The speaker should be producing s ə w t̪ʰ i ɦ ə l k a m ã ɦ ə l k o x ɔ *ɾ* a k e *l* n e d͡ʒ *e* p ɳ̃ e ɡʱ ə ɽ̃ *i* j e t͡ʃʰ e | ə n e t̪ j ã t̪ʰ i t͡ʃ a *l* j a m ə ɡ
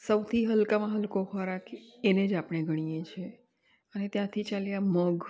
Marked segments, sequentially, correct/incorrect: correct, incorrect: none, incorrect: a, correct, correct

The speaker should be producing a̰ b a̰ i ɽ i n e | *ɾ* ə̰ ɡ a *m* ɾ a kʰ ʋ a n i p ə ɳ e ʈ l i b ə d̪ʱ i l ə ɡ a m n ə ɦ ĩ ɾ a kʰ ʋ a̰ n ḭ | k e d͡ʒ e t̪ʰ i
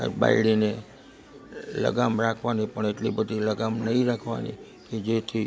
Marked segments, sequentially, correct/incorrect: incorrect: l, correct

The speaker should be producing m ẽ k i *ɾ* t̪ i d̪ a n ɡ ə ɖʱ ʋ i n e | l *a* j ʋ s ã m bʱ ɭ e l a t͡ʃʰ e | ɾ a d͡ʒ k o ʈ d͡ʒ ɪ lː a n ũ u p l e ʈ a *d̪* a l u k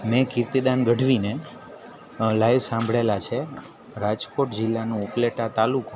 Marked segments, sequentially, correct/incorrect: correct, correct, incorrect: t̪

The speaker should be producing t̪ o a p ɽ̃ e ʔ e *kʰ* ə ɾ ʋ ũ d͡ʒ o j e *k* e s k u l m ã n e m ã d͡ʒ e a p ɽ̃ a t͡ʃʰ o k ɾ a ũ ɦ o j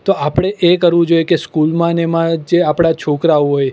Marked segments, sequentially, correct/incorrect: incorrect: k, correct

